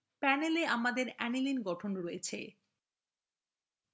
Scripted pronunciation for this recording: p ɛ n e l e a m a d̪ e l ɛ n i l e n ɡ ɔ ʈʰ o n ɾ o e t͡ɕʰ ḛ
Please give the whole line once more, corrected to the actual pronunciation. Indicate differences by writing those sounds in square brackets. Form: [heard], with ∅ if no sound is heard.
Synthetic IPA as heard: p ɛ n e l e a m a d̪ e [ɾ] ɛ n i l [i] n ɡ ɔ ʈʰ o n ɾ o e t͡ɕʰ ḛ